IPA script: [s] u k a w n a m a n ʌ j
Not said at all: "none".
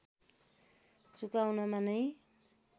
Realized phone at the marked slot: t͡s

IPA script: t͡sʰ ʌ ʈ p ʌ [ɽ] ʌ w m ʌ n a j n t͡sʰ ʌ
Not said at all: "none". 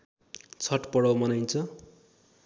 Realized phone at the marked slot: ɽ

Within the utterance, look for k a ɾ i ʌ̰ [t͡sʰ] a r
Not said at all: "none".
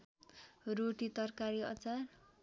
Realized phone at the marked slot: t͡s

